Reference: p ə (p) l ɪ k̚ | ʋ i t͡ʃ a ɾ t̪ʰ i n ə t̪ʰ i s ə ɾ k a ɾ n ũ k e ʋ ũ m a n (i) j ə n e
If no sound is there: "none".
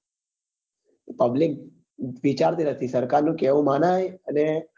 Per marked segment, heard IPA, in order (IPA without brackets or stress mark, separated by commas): b, a